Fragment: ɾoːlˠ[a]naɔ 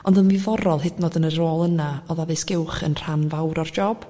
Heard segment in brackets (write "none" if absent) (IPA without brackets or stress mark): ə